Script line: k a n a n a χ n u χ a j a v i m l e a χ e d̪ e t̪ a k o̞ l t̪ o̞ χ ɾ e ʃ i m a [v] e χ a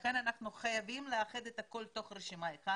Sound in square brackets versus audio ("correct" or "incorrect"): incorrect